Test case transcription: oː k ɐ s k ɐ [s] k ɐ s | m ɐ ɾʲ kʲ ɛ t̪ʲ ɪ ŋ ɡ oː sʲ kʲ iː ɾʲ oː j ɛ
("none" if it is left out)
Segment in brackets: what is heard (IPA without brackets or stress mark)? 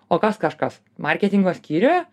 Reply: ʃ